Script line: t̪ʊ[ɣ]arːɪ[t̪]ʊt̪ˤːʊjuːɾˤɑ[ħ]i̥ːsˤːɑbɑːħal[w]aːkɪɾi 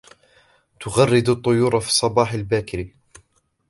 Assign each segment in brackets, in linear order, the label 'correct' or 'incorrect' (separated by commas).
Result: correct, incorrect, incorrect, incorrect